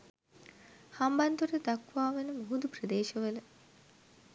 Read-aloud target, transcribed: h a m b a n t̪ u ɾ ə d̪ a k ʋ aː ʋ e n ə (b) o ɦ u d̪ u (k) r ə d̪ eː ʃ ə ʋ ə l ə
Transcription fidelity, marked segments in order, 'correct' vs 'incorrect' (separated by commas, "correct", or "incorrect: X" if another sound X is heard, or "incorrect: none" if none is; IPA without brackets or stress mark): incorrect: m, incorrect: p